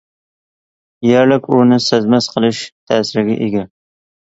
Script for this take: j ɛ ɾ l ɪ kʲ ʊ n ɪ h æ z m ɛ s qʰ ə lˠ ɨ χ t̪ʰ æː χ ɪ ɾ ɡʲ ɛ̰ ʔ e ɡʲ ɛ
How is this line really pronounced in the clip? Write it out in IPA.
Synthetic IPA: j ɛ ɾ l ɪ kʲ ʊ n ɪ s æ z m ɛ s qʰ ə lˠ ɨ ʃ t̪ʰ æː s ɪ ɾ ɡʲ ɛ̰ ʔ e ɡʲ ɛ